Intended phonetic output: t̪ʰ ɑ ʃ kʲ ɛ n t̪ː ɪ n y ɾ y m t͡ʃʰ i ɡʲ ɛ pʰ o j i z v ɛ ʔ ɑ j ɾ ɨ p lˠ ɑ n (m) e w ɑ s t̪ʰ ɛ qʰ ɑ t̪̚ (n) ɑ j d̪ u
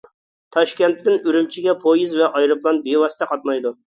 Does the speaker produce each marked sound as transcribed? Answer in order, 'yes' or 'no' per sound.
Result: no, no

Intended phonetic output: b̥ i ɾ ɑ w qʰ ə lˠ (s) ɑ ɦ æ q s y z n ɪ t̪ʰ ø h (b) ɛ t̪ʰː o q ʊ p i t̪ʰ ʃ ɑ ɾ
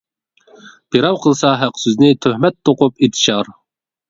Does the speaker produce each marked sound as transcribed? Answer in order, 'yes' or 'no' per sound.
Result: yes, no

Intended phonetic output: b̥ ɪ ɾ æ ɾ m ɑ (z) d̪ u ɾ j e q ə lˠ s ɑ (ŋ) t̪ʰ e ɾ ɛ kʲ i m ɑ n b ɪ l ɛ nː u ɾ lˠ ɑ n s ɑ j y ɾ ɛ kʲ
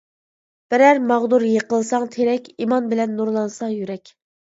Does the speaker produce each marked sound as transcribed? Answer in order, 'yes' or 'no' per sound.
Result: no, yes

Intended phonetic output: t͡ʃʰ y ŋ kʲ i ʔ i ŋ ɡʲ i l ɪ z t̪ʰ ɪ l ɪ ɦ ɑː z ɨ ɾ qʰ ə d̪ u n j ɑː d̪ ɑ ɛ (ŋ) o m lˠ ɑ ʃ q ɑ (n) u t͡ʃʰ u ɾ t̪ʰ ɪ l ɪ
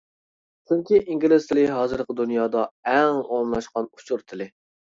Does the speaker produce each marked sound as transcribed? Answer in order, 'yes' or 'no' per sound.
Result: yes, yes

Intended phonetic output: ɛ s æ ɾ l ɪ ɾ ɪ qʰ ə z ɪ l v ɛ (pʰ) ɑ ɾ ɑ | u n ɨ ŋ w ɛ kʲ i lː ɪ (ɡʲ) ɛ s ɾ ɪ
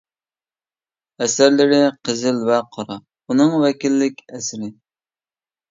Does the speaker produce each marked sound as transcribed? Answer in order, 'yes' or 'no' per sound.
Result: no, no

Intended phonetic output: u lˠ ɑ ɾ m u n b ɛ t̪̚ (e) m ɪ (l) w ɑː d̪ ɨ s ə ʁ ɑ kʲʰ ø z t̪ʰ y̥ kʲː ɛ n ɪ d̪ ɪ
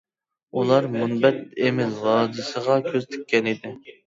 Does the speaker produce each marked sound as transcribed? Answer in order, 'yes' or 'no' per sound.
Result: yes, yes

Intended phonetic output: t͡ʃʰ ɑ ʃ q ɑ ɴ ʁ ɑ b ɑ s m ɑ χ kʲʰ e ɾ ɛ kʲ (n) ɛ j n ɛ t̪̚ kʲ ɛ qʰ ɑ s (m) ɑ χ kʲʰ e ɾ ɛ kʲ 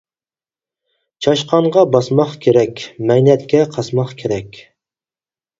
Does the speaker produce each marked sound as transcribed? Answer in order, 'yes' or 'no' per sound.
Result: no, yes

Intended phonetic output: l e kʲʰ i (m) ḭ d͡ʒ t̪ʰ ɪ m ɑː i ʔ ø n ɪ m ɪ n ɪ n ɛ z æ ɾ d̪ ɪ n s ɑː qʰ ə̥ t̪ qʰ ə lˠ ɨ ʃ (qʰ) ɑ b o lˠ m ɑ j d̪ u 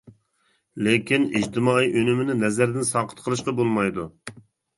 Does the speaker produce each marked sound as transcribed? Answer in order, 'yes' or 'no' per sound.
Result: no, no

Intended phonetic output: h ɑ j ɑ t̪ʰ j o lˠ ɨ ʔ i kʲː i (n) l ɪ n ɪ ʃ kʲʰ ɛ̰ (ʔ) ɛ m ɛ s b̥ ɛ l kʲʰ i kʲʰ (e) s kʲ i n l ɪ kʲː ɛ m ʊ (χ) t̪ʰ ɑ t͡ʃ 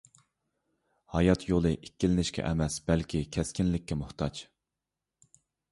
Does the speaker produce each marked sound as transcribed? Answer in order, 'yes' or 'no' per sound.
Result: no, yes, no, no

